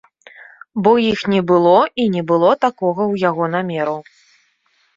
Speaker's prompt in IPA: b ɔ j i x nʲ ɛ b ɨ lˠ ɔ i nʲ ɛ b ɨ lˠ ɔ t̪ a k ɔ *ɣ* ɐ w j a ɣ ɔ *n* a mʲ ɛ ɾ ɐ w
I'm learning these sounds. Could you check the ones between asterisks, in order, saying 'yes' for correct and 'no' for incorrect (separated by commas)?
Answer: yes, yes